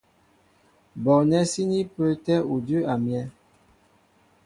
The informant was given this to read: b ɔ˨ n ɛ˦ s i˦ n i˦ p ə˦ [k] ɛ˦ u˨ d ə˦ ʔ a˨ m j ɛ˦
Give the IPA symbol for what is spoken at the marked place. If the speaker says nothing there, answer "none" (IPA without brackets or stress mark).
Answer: t